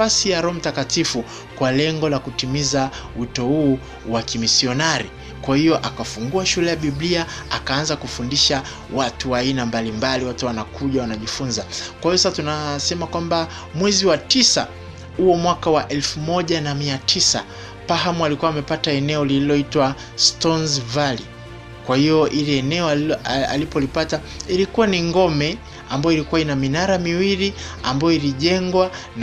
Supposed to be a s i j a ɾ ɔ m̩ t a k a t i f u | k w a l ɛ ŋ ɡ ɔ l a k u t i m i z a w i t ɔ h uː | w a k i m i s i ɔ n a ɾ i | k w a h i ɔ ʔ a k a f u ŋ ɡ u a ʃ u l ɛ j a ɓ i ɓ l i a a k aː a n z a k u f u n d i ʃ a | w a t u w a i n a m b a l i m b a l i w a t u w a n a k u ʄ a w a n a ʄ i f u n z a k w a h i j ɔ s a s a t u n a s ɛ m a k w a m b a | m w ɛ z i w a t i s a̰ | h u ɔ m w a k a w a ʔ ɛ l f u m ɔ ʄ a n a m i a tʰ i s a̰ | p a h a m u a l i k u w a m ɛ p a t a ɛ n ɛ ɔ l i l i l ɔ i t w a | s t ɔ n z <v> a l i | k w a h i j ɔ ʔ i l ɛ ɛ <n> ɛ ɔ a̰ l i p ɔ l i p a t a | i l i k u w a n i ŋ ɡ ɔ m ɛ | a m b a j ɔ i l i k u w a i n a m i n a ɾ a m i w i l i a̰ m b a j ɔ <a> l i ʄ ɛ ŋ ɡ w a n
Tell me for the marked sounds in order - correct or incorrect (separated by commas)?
correct, correct, incorrect